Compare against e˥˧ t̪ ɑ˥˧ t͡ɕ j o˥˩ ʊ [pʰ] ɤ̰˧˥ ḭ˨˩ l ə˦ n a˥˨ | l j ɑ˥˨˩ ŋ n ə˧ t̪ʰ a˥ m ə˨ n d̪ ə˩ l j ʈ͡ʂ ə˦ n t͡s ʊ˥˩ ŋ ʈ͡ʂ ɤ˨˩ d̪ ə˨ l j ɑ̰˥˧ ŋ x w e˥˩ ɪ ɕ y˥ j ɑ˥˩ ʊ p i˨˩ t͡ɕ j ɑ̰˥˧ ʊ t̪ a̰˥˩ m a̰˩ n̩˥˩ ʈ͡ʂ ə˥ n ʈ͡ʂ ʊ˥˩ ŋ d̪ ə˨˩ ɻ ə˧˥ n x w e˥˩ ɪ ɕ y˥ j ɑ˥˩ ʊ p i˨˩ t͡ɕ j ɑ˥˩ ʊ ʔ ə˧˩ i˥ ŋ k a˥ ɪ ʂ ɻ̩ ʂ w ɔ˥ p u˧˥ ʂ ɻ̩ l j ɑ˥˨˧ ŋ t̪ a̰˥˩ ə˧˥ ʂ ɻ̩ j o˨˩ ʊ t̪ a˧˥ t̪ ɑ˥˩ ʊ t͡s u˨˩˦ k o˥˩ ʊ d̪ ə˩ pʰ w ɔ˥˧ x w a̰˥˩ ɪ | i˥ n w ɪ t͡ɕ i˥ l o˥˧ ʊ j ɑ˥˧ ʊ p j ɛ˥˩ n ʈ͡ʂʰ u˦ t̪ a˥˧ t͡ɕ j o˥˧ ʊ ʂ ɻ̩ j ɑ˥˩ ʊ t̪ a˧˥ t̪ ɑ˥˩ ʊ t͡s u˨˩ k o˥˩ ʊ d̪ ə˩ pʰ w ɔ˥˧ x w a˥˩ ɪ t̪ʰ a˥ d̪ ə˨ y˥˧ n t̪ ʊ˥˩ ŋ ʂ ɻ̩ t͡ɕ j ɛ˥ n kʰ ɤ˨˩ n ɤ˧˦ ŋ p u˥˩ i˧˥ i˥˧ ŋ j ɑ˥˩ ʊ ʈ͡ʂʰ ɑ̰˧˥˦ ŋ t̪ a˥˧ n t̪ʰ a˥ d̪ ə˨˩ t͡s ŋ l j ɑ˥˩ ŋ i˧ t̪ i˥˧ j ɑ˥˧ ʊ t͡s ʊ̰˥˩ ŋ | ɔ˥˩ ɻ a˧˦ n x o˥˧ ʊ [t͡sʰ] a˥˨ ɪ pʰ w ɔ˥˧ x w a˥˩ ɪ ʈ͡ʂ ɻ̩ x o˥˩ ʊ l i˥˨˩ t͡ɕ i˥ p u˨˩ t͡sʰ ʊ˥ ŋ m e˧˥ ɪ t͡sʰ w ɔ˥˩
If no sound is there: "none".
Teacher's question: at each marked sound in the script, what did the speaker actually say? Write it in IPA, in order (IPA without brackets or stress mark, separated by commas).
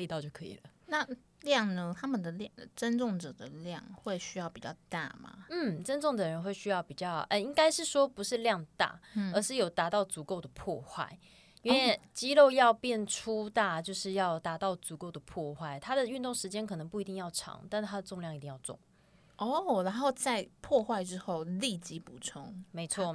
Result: kʰ, t͡s